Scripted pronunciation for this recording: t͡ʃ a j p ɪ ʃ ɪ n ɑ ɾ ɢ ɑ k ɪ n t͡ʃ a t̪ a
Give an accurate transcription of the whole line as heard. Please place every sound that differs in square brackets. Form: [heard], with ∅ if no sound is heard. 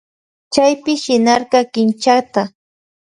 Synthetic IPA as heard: t͡ʃ a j p ɪ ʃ ɪ n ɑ ɾ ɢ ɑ k ɪ n t͡ʃ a t̪ a